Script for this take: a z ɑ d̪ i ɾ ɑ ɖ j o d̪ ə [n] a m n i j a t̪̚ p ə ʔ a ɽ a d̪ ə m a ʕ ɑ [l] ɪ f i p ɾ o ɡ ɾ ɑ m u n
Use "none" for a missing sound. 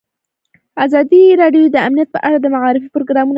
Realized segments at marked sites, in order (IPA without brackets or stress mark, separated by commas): none, ɾ